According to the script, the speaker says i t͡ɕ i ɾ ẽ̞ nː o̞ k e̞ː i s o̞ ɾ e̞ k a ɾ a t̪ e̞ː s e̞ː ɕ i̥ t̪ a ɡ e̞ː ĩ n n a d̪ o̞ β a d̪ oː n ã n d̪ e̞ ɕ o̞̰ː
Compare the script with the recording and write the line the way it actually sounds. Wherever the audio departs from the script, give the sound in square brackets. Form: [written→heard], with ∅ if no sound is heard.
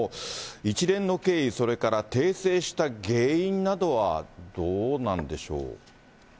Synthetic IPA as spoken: i t͡ɕ i ɾ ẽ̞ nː o̞ k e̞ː i s o̞ ɾ e̞ k a ɾ a t̪ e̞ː s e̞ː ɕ i̥ t̪ a ɡ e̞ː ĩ n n a d̪ o̞ β a d̪ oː n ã n d̪ e̞ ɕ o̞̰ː

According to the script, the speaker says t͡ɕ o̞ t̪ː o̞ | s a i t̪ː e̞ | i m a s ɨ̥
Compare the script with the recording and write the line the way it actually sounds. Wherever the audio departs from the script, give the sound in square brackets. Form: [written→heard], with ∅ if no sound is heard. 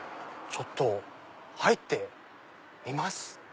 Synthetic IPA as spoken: t͡ɕ o̞ t̪ː o̞ | [s→h] a i t̪ː e̞ | i m a s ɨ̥

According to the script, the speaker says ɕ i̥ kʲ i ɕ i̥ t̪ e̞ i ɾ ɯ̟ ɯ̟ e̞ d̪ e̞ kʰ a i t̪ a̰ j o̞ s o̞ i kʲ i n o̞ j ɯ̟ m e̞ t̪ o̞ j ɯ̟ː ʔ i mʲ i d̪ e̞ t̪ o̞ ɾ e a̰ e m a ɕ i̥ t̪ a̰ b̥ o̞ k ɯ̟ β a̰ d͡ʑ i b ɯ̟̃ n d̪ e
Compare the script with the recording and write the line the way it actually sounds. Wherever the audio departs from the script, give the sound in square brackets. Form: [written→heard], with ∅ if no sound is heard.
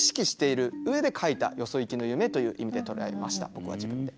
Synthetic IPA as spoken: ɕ i̥ kʲ i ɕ i̥ t̪ e̞ i ɾ ɯ̟ ɯ̟ e̞ d̪ e̞ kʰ a i t̪ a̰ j o̞ s o̞ i kʲ i n o̞ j ɯ̟ m e̞ t̪ o̞ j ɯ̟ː ʔ i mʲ i d̪ e̞ t̪ o̞ ɾ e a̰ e m a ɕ i̥ t̪ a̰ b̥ o̞ k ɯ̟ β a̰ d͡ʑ i b ɯ̟̃ n d̪ e

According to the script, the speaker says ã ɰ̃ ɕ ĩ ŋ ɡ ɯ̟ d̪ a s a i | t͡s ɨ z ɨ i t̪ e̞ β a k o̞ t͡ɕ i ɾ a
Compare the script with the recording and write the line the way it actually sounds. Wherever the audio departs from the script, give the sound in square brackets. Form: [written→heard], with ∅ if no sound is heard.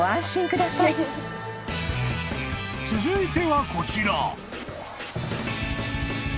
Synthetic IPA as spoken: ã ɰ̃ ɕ ĩ ŋ [ɡ→k] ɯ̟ d̪ a s a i | t͡s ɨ z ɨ i t̪ e̞ β a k o̞ t͡ɕ i ɾ a

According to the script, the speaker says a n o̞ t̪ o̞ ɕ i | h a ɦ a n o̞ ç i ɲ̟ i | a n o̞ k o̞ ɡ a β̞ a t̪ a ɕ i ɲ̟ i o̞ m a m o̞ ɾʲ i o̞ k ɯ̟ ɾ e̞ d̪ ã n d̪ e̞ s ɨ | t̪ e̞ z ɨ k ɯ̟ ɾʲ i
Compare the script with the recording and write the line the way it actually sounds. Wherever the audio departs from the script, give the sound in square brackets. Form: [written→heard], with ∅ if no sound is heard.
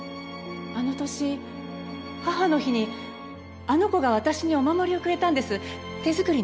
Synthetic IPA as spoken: a n o̞ t̪ o̞ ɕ i | h a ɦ a n o̞ ç i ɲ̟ i | a n o̞ k o̞ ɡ a β̞ a t̪ a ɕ i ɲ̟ i o̞ m a m o̞ ɾʲ i o̞ k ɯ̟ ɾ e̞ [d̪→t̪] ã n d̪ e̞ s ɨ | t̪ e̞ z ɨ k ɯ̟ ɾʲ i

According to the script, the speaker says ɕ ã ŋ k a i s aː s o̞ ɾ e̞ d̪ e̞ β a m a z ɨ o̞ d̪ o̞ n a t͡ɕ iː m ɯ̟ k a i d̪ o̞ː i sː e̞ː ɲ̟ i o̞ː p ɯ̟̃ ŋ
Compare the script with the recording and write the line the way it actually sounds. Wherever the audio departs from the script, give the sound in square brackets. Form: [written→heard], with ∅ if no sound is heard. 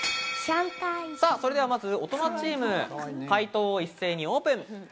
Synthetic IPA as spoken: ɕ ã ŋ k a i s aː s o̞ ɾ e̞ d̪ e̞ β a m a z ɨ o̞ [d̪→t̪] o̞ n a t͡ɕ iː m ɯ̟ k a i [d̪→t̪] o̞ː i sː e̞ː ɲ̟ i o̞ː p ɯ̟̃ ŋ

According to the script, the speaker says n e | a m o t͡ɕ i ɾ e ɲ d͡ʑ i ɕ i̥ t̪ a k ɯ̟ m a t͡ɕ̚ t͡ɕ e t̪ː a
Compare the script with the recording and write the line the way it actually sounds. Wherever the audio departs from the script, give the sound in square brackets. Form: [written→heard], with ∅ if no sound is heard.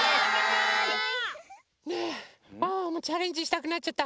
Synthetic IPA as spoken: n e | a m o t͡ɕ [i→a] ɾ e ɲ d͡ʑ i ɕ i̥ t̪ a k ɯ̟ [m→n] a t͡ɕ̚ t͡ɕ [e→a] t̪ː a

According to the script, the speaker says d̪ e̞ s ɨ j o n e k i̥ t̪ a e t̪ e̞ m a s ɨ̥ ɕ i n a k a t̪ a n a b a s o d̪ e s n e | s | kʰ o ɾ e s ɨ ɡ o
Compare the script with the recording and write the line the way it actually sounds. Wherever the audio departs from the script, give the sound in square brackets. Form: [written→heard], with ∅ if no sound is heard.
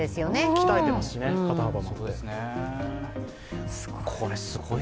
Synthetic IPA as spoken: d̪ e̞ s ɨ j o n e k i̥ t̪ a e t̪ e̞ m a s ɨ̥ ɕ i n [a→e] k a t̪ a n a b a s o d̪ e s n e | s | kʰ o ɾ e s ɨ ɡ o

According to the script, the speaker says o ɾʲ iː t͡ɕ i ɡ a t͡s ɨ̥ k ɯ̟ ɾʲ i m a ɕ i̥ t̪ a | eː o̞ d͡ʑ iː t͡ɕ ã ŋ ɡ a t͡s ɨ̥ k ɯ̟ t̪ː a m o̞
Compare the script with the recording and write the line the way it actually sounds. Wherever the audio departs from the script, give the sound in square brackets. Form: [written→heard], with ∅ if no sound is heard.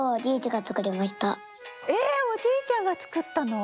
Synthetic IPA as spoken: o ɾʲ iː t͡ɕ i ɡ a t͡s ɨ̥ k ɯ̟ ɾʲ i m a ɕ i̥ t̪ a | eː o̞ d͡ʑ iː t͡ɕ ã ŋ ɡ a t͡s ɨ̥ k ɯ̟ t̪ː a [m→n] o̞

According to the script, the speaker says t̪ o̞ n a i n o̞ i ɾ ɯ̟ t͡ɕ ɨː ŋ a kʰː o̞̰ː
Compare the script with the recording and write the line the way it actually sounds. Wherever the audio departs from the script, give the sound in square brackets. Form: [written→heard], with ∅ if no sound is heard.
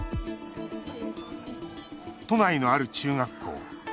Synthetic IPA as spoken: t̪ o̞ n a i n o̞ [i→a] ɾ ɯ̟ t͡ɕ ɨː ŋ a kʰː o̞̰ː

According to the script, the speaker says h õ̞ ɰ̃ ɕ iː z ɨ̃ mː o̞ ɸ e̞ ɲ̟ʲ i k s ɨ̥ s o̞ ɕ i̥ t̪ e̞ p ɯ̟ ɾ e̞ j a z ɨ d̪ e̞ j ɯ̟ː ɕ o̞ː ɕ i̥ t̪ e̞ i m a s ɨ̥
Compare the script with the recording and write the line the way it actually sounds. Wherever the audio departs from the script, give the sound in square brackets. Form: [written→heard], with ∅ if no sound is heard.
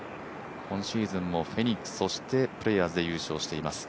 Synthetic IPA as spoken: h õ̞ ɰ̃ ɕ iː z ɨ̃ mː o̞ ɸ e̞ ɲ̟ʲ i k s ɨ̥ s o̞ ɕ i̥ t̪ e̞ p ɯ̟ ɾ e̞ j a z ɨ d̪ e̞ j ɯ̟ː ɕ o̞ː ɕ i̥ t̪ e̞ i m a s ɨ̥

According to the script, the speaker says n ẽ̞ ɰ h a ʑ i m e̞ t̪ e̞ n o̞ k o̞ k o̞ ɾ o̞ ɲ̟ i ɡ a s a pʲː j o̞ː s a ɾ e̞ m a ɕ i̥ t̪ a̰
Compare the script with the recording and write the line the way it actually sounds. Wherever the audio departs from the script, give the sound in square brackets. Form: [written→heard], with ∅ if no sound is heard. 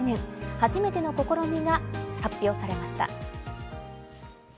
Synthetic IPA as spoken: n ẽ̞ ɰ h a ʑ i m e̞ t̪ e̞ n o̞ k o̞ k o̞ ɾ o̞ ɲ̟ i ɡ a [s→h] a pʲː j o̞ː s a ɾ e̞ m a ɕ i̥ t̪ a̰

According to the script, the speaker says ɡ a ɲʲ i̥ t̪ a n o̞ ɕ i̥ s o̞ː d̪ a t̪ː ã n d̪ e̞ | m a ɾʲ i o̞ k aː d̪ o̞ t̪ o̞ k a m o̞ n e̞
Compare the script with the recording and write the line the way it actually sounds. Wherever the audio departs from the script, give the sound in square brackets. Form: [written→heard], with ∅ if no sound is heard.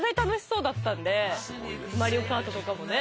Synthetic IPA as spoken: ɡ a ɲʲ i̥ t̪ a n o̞ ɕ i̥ s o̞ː d̪ a t̪ː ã n d̪ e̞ | m a ɾʲ i o̞ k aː [d̪→t̪] o̞ t̪ o̞ k a m o̞ n e̞

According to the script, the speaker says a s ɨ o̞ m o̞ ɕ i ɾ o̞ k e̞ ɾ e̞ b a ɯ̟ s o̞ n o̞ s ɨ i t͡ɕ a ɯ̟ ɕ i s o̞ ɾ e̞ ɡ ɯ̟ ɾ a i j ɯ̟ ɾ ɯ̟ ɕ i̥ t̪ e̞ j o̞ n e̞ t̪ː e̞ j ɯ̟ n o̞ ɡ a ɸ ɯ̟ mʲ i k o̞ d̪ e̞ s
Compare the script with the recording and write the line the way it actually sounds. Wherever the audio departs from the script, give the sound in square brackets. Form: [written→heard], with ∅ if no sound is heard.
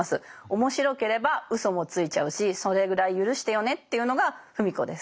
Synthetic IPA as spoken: a s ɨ o̞ m o̞ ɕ i ɾ o̞ k e̞ ɾ e̞ b a ɯ̟ s o̞ [n→m] o̞ [s→t͡s] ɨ i t͡ɕ a ɯ̟ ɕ i s o̞ ɾ e̞ ɡ ɯ̟ ɾ a i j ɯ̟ ɾ ɯ̟ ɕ i̥ t̪ e̞ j o̞ n e̞ t̪ː e̞ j ɯ̟ n o̞ ɡ a ɸ ɯ̟ mʲ i k o̞ d̪ e̞ s

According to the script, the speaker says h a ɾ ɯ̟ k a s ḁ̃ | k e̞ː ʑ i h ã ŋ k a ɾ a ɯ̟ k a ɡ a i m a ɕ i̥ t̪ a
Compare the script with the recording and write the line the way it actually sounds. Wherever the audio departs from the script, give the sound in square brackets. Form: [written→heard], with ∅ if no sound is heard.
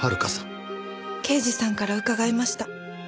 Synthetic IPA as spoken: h a ɾ ɯ̟ k a s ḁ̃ | k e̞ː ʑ i [h→s] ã ŋ k a ɾ a ɯ̟ k a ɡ a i m a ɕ i̥ t̪ a

